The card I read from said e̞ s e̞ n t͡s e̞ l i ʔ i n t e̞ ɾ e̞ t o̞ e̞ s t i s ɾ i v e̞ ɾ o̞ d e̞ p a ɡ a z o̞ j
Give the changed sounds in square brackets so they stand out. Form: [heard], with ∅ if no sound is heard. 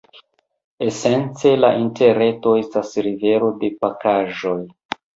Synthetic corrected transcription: e̞ s e̞ n t͡s e̞ l [a] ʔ i n t e̞ ɾ e̞ t o̞ e̞ s t [a] s ɾ i v e̞ ɾ o̞ d e̞ p a [k] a [ʒ] o̞ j

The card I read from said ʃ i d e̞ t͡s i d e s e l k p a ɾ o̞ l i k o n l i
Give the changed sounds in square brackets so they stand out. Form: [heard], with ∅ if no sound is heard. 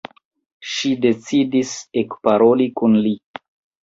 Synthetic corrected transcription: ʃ i d e̞ t͡s i d [i] s e [∅] k p a ɾ o̞ l i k [u] n l i

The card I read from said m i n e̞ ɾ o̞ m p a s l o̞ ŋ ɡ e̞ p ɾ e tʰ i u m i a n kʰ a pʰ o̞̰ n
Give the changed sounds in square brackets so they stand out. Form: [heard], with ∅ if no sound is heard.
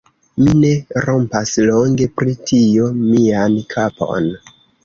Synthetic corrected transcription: m i n e̞ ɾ o̞ m p a s l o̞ ŋ ɡ e̞ p ɾ [i] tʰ i [o] m i a n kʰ a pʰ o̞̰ n

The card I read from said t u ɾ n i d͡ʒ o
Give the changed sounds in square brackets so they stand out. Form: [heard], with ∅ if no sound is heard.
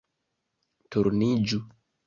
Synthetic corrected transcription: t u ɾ n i d͡ʒ [u]

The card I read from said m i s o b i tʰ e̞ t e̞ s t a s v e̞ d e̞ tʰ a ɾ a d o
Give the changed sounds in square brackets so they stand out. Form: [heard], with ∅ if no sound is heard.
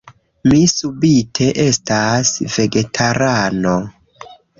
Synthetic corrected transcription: m i s [u] b i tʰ e̞ [ʔ] e̞ s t a s v e̞ [ɡ] e̞ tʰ a ɾ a [n] o

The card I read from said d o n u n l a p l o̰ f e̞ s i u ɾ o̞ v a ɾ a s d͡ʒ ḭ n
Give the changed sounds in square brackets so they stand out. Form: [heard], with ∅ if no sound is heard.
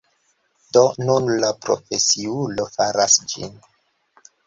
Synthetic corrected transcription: d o n u n l a p [ɾ] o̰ f e̞ s i u [l] o̞ [f] a ɾ a s d͡ʒ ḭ n

